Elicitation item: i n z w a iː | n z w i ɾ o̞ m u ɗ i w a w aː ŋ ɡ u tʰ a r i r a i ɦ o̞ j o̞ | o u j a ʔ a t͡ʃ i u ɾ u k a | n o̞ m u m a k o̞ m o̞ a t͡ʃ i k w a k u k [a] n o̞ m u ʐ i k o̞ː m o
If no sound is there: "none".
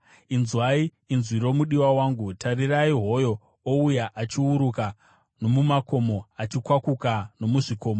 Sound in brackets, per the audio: a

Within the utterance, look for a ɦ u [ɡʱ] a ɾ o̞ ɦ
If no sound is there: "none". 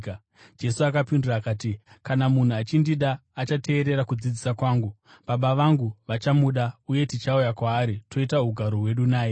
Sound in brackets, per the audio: ɡʱ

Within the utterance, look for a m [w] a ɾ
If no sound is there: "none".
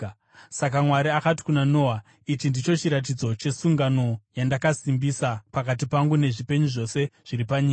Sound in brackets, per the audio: w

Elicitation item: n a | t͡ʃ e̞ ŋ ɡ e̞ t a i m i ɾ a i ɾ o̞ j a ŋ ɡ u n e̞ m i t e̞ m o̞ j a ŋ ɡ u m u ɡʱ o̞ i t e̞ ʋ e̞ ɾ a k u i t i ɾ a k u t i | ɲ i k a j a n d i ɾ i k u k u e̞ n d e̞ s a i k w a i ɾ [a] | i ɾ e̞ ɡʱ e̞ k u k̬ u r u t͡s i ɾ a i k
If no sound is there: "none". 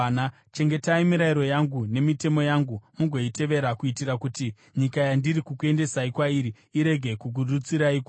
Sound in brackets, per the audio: i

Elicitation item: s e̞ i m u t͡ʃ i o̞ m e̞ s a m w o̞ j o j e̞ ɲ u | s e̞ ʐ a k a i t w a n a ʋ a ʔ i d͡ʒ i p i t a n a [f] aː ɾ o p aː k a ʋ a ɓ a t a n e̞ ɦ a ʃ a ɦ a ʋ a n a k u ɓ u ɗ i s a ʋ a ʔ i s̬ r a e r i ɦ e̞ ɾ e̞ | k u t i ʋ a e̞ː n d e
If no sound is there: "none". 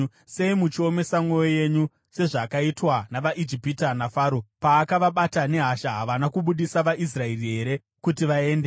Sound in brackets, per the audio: f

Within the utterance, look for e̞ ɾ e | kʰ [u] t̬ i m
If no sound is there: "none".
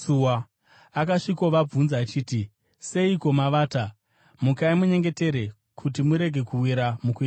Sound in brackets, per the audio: u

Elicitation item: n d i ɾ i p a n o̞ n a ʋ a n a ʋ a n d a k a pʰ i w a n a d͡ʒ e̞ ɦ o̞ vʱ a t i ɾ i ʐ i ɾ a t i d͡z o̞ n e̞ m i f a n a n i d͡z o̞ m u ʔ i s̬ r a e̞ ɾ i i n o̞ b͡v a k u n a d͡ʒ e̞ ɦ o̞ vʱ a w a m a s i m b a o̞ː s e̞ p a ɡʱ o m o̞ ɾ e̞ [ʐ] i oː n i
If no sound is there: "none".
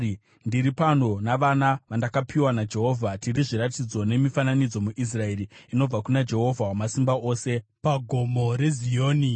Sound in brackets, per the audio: z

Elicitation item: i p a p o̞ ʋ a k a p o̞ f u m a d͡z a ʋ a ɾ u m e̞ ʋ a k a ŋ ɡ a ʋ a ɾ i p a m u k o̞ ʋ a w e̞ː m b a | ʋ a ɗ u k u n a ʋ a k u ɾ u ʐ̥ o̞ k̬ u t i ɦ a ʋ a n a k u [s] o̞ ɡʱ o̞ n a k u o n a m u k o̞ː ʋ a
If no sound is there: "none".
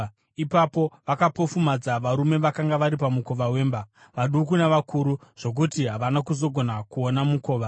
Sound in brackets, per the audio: z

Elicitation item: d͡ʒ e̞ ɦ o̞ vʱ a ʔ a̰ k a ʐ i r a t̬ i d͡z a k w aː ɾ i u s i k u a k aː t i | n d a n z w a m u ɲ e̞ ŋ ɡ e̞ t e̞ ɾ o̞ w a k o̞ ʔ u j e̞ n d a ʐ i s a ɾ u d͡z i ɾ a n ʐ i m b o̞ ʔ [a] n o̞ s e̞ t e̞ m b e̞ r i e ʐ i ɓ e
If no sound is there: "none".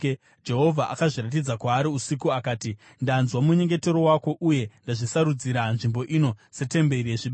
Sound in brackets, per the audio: i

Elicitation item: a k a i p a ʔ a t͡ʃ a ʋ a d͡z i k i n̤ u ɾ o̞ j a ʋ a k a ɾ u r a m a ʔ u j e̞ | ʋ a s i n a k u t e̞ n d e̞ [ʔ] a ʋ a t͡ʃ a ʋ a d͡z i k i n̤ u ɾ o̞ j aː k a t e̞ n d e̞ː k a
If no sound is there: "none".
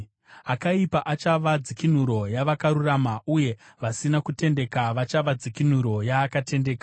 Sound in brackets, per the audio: k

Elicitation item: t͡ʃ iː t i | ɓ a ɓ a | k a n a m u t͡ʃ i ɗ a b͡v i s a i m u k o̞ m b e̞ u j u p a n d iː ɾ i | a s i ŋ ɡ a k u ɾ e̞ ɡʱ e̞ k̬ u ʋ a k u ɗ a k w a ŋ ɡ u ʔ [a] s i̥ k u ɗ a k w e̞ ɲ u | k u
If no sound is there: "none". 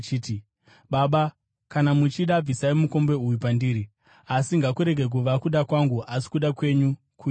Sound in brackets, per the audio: a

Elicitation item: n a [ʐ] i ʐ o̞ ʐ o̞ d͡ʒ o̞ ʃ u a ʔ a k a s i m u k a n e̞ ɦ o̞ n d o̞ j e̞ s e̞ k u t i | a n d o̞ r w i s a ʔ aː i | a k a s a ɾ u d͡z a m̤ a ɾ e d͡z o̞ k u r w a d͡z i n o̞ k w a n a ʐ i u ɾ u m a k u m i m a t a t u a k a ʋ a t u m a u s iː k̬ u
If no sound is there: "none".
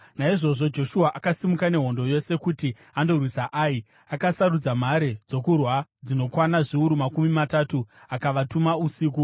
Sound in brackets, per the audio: none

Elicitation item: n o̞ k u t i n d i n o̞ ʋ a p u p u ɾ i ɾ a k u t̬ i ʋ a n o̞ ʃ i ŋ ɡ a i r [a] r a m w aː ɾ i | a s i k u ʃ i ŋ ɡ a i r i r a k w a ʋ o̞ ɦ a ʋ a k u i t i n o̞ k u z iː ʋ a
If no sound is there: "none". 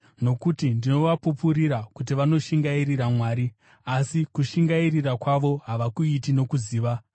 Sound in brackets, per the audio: i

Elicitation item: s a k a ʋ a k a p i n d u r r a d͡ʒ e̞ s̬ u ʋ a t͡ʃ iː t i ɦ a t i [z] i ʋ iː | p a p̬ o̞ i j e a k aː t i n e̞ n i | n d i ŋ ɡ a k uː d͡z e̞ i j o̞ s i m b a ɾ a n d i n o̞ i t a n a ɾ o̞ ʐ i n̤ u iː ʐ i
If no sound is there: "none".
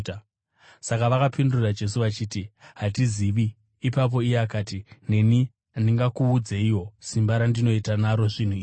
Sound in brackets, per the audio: z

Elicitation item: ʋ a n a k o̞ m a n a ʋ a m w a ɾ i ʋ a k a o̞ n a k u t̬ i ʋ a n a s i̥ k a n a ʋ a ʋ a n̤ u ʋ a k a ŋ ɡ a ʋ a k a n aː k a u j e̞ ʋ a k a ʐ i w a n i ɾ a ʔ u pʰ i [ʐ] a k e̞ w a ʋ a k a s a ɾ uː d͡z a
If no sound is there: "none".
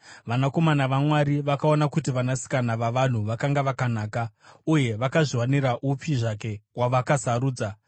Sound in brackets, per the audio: ʐ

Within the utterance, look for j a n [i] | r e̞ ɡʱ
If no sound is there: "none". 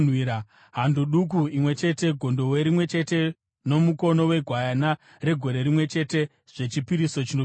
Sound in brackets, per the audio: a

